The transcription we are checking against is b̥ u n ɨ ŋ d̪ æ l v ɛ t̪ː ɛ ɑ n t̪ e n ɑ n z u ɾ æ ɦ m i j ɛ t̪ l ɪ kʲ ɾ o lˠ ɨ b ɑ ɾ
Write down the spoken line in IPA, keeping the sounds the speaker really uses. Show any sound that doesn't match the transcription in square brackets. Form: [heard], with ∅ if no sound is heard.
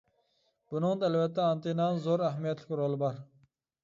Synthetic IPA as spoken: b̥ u n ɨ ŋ d̪ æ l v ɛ t̪ː ɛ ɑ n t̪ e n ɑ n z [o] ɾ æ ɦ m i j ɛ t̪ l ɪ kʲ ɾ o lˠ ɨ b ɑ ɾ

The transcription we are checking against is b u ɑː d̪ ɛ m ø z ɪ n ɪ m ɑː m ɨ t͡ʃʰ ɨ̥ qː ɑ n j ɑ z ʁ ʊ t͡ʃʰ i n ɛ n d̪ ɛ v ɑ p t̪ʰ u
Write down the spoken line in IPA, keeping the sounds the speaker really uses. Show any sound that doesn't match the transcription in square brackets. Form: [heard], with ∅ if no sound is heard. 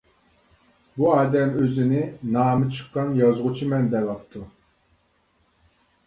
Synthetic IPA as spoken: b u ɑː d̪ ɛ m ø z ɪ n ɪ [n] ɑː m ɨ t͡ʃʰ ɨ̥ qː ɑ n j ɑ z ʁ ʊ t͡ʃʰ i [m] ɛ n d̪ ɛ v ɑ p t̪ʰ u

